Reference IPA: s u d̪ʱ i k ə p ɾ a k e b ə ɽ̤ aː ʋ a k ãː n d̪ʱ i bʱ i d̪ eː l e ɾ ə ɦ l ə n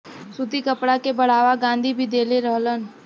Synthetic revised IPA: s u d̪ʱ i k ə p ɽ a k e b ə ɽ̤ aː ʋ a ɡ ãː n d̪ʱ i bʱ i d̪ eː l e ɾ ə ɦ l ə n